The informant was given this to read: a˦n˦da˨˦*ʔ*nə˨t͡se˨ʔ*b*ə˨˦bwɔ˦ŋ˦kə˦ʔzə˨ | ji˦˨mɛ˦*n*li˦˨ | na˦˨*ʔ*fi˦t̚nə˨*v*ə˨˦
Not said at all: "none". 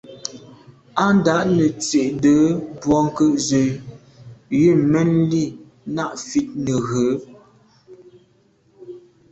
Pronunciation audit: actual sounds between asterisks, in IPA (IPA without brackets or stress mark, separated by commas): ʔ, d, n, ʔ, ɣ